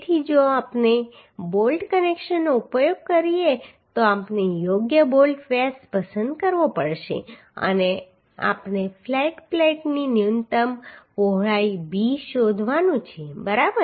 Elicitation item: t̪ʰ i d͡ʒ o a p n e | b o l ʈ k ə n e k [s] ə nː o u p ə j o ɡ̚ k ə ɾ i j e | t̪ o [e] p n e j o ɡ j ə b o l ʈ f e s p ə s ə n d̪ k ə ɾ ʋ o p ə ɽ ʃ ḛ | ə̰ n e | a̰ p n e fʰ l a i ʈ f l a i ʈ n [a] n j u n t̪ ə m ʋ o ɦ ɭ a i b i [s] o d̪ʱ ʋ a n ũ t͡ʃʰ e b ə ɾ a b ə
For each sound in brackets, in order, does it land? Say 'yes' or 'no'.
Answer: no, no, no, no

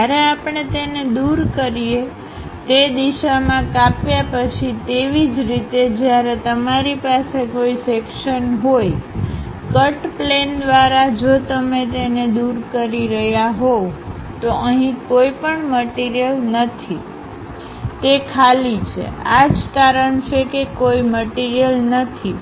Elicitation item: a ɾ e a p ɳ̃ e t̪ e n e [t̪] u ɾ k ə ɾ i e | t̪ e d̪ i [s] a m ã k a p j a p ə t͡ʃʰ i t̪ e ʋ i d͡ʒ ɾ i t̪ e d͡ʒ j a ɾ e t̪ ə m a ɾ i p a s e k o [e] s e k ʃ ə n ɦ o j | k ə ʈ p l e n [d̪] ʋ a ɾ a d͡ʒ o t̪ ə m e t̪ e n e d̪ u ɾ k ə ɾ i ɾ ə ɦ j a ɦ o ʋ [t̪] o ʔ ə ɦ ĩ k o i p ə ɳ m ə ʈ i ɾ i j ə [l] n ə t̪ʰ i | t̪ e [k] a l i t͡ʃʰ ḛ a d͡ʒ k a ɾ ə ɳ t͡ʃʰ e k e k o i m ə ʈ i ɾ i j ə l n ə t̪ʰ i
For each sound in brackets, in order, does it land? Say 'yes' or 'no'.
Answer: no, no, no, yes, yes, yes, no

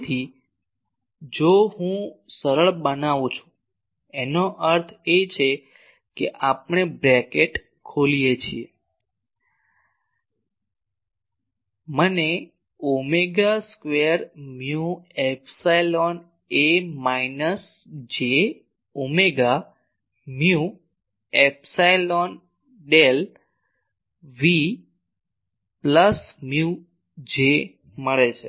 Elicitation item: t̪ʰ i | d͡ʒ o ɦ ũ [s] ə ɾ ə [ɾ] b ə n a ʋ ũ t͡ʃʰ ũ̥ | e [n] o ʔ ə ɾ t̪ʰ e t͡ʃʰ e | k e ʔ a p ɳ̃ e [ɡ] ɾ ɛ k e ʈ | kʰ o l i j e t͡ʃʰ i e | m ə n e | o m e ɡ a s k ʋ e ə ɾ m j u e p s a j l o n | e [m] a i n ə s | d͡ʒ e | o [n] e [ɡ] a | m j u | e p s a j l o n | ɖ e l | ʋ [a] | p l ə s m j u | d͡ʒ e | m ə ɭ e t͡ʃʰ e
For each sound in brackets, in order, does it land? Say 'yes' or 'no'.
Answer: yes, no, yes, no, yes, no, yes, no

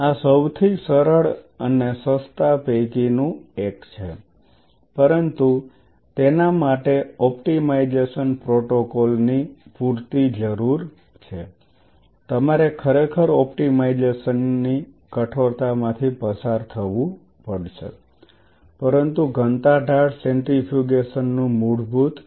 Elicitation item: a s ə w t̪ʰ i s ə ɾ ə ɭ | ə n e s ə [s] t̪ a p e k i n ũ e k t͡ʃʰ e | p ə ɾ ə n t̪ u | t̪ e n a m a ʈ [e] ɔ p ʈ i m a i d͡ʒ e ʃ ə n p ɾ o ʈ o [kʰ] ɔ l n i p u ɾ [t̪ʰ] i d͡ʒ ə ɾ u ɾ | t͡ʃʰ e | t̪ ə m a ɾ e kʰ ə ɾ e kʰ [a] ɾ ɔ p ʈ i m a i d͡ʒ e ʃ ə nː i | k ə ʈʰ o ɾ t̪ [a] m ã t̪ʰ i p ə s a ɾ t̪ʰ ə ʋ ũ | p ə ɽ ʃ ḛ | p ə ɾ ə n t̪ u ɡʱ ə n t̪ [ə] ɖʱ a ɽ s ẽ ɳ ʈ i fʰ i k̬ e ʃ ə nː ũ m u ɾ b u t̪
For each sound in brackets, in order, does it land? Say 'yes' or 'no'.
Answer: yes, yes, no, no, no, yes, no

